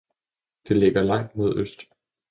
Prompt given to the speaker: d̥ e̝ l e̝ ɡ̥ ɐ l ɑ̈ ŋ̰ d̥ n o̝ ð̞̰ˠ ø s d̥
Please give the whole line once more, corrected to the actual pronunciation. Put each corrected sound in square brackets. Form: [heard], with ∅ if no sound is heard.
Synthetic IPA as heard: d̥ e̝ l e̝ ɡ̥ ɐ l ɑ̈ ŋ̰ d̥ [m] o̝ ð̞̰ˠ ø s d̥